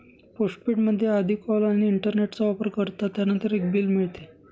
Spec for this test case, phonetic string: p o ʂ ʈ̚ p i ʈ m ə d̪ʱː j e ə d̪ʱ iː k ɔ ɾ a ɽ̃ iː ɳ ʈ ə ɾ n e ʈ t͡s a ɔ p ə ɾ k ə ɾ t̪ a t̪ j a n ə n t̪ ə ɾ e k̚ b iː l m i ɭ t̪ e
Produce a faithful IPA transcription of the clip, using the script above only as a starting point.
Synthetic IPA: p o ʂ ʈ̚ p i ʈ m ə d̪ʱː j e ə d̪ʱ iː k ɔ l a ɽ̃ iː ɳ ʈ ə ɾ n e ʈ t͡s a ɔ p ə ɾ k ə ɾ t̪ a t̪ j a n ə n t̪ ə ɾ e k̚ b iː l m i ɭ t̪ e